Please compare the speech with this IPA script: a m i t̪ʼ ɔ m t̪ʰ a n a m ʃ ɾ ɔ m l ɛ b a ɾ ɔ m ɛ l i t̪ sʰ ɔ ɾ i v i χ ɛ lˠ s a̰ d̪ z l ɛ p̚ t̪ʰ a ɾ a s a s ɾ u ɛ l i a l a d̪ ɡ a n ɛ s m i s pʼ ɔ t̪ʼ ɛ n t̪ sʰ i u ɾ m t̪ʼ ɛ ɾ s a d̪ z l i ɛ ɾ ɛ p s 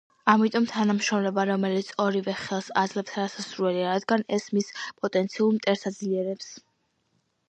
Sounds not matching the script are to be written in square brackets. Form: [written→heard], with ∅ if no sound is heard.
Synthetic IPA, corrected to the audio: a m i t̪ʼ ɔ m t̪ʰ a n a m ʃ ɾ ɔ m l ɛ b a ɾ ɔ m ɛ l i t̪ sʰ ɔ ɾ i v [i→ɛ] χ ɛ lˠ s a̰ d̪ z l ɛ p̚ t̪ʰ a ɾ a s a s ɾ u ɛ l i a [l→ɾ] a d̪ ɡ a n ɛ s m i s pʼ ɔ t̪ʼ ɛ n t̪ sʰ i u ɾ m t̪ʼ ɛ ɾ s a d̪ z l i ɛ ɾ ɛ p s